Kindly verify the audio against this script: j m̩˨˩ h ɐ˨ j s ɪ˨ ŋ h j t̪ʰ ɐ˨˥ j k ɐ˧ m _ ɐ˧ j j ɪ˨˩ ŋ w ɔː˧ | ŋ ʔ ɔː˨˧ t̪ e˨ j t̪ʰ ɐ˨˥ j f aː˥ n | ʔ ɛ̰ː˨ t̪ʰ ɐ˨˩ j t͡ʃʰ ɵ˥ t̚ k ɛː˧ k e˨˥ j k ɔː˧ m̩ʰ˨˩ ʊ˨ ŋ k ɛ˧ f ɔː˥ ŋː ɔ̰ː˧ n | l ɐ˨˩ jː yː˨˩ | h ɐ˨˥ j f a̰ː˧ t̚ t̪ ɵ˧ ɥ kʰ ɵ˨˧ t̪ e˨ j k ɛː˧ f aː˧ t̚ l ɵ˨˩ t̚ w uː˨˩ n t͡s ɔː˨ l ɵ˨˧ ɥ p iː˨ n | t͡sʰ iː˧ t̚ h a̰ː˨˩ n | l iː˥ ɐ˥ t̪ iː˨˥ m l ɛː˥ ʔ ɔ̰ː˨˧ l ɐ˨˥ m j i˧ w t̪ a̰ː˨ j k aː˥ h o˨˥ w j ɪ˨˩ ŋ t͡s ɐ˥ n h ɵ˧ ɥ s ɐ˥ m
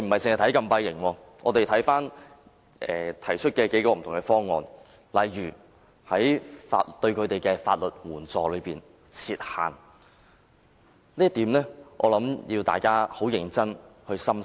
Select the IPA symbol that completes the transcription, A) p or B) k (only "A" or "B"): A